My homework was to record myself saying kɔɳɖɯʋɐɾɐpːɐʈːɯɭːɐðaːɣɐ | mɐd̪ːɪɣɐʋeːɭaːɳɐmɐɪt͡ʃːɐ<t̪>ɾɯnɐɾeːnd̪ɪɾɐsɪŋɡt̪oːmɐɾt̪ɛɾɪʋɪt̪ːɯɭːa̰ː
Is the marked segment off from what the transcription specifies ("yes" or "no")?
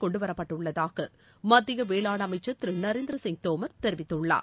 no